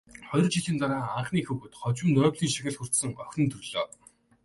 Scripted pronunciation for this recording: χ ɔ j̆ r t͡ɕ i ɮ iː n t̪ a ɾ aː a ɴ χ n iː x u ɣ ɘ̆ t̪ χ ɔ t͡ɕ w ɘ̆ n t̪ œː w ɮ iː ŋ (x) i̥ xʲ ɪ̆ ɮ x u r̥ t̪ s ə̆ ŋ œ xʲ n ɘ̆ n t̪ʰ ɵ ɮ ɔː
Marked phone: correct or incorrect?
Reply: incorrect